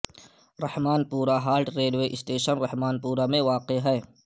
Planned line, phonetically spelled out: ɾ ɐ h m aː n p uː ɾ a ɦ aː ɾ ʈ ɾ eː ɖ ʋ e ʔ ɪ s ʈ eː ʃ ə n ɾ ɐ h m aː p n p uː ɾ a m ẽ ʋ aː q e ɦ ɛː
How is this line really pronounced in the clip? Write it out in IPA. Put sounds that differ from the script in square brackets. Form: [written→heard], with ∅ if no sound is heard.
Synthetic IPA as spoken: ɾ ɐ h m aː n p uː ɾ a ɦ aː ɾ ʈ ɾ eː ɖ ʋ e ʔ ɪ s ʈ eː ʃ ə n ɾ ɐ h m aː [p→∅] n p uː ɾ a m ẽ ʋ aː q e ɦ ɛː